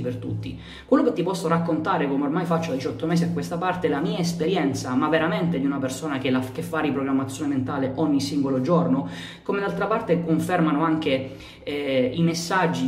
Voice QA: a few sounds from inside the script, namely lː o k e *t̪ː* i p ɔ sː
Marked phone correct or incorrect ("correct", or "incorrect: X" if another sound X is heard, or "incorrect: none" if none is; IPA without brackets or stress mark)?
correct